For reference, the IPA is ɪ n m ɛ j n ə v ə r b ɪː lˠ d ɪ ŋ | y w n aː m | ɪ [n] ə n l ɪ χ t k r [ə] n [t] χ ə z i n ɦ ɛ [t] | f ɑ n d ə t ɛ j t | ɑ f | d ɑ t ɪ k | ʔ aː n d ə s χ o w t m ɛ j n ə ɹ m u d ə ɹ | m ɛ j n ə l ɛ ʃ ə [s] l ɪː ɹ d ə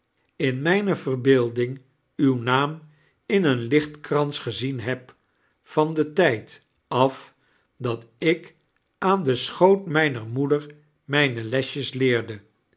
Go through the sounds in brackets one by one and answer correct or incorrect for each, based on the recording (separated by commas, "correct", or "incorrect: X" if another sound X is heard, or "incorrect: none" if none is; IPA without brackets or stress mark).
correct, incorrect: ɑ, incorrect: s, incorrect: p, correct